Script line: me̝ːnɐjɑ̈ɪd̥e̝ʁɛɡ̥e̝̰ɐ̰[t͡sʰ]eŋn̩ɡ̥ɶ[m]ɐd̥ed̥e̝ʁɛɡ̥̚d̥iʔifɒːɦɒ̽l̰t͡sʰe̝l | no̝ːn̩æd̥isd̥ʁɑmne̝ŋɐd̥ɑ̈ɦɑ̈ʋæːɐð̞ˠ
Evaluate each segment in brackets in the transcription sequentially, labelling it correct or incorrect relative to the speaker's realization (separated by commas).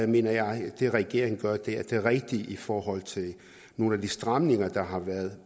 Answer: incorrect, incorrect